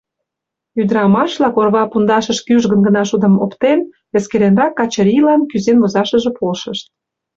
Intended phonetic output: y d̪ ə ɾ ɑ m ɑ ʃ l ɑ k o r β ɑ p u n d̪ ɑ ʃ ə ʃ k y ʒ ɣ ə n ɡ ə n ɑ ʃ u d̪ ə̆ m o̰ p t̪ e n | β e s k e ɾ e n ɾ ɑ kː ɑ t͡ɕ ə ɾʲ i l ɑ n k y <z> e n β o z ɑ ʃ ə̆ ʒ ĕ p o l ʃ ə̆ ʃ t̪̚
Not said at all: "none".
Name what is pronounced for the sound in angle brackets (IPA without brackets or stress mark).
z